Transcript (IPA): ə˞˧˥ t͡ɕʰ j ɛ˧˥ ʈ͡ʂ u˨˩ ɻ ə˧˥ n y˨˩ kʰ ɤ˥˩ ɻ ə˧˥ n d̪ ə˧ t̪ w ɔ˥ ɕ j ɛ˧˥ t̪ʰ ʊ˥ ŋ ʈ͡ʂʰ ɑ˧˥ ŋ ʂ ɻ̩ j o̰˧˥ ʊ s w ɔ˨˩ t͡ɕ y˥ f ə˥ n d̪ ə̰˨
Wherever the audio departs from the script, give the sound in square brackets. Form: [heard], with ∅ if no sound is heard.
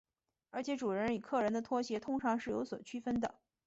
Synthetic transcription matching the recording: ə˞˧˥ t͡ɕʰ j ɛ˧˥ ʈ͡ʂ u˨˩ ɻ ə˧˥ n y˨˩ kʰ ɤ˥˩ ɻ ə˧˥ n d̪ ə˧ [t̪ʰ] w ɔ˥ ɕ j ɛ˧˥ t̪ʰ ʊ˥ ŋ ʈ͡ʂʰ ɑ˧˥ ŋ ʂ ɻ̩ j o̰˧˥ ʊ s w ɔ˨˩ [t͡ɕʰ] y˥ f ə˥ n d̪ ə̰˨